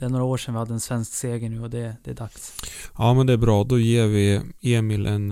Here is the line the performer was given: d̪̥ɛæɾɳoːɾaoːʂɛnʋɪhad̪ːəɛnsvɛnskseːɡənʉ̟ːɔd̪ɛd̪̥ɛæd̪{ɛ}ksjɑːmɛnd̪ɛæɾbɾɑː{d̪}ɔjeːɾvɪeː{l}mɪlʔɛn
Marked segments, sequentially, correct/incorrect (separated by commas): incorrect, correct, incorrect